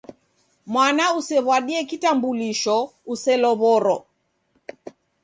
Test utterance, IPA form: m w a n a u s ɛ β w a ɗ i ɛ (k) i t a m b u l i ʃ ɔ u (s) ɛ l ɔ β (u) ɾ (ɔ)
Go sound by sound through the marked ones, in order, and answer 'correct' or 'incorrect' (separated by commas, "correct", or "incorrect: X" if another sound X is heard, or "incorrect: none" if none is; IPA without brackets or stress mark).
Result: correct, correct, incorrect: ɔ, correct